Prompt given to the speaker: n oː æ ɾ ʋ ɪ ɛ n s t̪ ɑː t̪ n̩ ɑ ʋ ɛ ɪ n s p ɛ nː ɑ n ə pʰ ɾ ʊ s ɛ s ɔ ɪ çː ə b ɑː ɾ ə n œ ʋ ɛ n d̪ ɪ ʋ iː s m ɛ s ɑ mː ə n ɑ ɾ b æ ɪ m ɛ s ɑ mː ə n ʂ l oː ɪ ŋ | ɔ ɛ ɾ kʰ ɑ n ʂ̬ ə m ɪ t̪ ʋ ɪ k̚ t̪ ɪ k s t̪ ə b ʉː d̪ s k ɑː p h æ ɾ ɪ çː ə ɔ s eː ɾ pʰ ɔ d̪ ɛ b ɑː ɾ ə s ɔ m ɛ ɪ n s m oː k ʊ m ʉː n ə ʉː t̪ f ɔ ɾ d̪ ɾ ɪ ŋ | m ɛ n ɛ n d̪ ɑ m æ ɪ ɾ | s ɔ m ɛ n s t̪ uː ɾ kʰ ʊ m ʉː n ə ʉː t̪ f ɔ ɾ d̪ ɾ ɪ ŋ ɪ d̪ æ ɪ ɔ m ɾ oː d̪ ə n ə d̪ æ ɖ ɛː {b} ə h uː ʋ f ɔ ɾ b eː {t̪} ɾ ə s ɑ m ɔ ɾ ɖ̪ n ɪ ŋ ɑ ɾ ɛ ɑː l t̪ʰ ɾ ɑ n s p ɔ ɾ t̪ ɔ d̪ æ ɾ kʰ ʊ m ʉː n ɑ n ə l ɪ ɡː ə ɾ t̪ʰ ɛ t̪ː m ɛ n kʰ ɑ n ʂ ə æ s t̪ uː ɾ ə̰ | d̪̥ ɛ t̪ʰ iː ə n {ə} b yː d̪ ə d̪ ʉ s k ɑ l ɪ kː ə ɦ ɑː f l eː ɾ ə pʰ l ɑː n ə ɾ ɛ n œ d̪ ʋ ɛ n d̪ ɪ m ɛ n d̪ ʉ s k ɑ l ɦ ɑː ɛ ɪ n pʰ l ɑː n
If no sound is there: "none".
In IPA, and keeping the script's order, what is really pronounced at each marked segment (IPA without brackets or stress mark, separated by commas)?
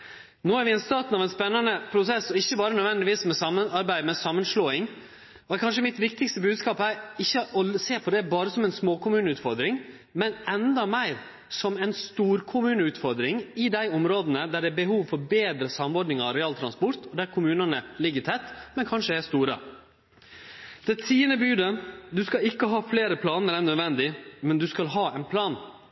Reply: b, d̪, ə